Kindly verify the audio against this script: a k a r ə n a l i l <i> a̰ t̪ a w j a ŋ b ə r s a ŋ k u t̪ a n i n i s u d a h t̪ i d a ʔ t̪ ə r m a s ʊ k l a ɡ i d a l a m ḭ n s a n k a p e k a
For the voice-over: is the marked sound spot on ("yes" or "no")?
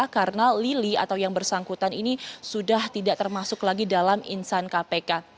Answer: yes